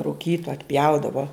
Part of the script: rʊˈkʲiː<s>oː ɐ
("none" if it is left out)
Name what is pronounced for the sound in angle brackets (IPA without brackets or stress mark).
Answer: t